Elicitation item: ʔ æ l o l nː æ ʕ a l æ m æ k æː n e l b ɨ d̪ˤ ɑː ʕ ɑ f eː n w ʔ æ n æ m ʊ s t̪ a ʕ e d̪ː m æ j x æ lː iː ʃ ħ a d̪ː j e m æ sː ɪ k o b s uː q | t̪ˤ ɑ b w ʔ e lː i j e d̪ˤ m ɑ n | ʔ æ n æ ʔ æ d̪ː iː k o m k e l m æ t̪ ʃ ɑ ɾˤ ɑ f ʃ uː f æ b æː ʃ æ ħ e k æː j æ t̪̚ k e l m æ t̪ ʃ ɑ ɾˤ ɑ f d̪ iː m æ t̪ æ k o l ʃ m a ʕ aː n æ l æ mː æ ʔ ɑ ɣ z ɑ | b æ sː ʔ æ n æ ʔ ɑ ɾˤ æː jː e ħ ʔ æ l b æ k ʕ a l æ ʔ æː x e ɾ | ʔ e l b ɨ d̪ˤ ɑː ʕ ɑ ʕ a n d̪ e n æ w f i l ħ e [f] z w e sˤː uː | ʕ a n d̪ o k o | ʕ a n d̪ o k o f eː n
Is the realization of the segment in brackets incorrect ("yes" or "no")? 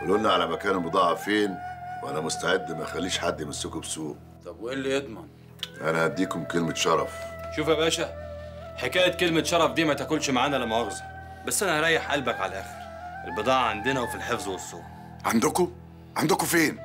no